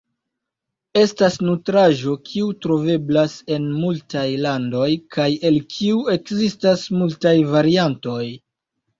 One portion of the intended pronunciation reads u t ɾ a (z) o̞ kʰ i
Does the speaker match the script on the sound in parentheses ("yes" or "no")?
no